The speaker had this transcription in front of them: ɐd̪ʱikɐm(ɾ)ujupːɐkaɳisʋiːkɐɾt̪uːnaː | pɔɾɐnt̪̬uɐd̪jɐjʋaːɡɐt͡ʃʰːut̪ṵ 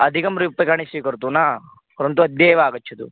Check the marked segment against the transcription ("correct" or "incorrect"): correct